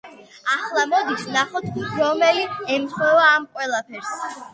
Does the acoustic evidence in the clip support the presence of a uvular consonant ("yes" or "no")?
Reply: yes